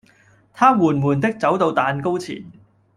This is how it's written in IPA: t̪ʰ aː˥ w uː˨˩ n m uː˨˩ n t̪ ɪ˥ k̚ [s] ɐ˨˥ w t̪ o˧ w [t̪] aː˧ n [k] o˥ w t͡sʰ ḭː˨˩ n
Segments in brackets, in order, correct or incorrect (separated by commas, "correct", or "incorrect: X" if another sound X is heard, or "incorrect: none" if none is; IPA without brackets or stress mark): incorrect: t͡s, correct, correct